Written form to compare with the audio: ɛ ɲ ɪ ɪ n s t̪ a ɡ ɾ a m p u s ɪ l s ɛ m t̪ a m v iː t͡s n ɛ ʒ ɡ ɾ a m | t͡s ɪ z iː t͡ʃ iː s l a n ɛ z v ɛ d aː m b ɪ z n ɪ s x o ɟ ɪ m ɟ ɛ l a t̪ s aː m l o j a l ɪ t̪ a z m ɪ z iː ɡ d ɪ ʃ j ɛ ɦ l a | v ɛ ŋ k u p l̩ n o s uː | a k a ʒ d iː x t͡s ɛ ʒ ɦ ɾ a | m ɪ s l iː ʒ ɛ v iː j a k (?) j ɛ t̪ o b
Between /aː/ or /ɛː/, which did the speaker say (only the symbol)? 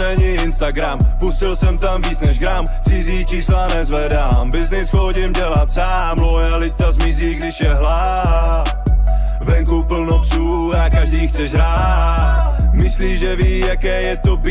ɛː